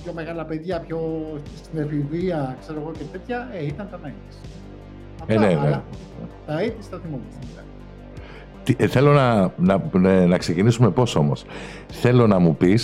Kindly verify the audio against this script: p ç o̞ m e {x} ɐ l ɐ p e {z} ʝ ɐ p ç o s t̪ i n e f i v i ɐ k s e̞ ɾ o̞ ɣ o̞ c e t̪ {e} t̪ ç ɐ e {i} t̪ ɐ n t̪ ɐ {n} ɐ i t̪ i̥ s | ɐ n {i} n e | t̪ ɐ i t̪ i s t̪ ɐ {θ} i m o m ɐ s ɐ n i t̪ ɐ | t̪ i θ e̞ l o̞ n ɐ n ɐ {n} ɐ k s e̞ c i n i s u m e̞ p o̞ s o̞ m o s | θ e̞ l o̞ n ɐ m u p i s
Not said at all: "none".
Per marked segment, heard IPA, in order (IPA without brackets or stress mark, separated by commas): ɣ, ð, e, i, n, e, θ, n